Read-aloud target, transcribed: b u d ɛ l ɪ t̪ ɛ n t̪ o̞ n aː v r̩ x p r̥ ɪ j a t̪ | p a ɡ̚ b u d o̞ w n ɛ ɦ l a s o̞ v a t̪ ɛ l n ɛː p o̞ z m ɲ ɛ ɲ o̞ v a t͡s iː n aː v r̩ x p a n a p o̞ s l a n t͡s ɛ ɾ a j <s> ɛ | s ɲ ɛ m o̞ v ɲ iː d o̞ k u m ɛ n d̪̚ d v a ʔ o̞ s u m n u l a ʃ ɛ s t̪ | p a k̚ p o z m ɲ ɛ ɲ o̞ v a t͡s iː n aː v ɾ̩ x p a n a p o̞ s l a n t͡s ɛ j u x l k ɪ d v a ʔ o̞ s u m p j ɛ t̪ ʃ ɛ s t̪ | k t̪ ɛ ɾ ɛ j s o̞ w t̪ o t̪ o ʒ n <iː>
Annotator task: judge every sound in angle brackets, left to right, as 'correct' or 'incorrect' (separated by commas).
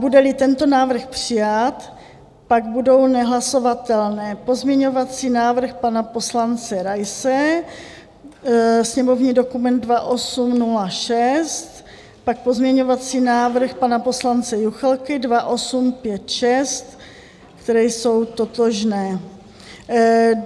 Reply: correct, incorrect